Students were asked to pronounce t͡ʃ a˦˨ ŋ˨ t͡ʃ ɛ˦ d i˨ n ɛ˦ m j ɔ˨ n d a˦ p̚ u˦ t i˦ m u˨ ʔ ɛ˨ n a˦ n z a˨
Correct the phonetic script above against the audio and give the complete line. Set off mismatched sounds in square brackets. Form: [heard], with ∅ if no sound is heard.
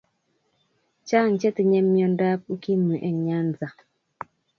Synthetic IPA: t͡ʃ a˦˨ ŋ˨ t͡ʃ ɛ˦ [t] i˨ [ɲ] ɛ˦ m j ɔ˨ n d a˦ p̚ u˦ [k] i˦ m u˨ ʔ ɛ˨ [ɲ] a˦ n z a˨